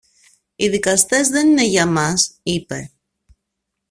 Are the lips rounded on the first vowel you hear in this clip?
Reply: no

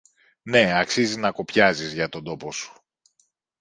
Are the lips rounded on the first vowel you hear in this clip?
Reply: no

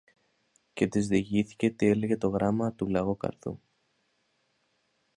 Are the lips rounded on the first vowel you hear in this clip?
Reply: no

